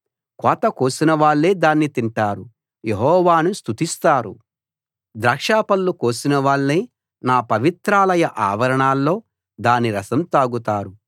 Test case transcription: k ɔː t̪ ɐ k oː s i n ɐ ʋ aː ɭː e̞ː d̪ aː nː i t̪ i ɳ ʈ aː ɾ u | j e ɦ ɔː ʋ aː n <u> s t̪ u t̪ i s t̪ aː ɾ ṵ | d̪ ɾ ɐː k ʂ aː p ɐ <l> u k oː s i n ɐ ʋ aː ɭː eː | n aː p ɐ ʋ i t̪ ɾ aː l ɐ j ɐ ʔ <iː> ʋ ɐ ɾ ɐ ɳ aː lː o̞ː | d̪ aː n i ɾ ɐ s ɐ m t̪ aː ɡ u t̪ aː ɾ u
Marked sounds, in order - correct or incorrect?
correct, incorrect, incorrect

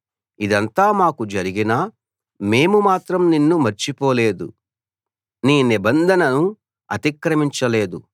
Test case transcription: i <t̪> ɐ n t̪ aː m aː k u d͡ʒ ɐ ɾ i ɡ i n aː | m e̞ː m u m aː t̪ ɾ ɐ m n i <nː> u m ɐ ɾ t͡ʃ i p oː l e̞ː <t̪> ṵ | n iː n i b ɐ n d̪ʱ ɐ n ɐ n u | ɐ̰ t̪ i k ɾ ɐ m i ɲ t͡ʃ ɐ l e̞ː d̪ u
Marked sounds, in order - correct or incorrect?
incorrect, correct, incorrect

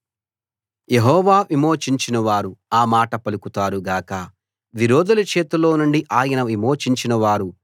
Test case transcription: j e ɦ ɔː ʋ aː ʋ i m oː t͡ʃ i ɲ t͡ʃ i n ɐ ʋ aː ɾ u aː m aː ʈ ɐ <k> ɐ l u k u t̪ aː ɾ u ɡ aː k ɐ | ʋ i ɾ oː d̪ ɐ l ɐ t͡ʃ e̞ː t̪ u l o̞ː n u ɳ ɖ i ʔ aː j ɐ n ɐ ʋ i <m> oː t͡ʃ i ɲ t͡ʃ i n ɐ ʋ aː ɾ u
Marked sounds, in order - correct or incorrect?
incorrect, correct

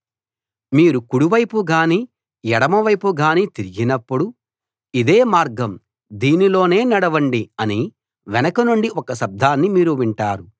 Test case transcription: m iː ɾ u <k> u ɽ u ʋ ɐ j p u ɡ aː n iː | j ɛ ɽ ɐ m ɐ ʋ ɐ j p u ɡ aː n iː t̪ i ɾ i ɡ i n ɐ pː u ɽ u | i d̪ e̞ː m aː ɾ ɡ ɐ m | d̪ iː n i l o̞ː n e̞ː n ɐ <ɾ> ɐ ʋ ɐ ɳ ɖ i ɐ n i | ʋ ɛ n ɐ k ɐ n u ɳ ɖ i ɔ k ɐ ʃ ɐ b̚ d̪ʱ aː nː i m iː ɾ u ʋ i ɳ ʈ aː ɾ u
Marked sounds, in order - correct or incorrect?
correct, incorrect

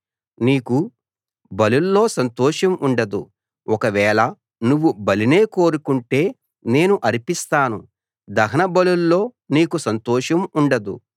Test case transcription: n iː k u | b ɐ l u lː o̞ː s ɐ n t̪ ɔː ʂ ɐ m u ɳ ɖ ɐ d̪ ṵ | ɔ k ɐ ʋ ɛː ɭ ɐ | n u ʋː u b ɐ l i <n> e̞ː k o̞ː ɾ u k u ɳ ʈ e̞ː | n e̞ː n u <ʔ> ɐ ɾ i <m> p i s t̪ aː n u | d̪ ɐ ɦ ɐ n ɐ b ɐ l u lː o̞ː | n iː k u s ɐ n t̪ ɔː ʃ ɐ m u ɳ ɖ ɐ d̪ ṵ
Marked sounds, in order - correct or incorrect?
correct, correct, incorrect

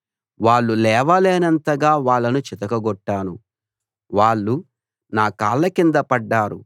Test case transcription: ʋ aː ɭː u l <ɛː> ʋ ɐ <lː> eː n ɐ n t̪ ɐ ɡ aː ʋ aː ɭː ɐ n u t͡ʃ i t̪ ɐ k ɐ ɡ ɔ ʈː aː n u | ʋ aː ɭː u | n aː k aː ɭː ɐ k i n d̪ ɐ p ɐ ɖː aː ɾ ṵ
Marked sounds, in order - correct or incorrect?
correct, incorrect

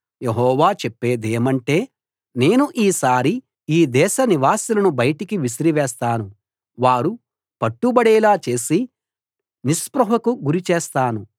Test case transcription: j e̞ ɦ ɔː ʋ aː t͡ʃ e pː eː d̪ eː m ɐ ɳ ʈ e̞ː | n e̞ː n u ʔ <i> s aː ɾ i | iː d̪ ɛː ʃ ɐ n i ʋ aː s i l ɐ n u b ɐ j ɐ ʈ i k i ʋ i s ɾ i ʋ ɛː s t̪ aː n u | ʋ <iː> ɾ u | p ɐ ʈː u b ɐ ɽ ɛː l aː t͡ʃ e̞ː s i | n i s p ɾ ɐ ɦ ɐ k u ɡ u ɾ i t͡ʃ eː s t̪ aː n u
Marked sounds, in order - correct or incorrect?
incorrect, incorrect

